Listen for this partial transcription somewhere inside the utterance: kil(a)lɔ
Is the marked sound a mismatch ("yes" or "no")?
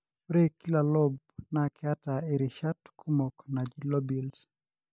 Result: no